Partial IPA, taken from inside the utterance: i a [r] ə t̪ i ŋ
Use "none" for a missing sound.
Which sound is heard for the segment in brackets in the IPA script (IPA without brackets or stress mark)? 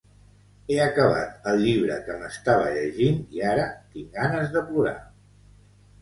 ɾ